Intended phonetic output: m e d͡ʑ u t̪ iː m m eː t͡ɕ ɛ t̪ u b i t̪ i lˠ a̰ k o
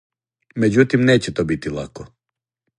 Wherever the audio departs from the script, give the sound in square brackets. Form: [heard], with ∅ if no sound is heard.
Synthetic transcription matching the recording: m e d͡ʑ u t̪ [i] m [n] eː t͡ɕ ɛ t̪ [o] b i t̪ i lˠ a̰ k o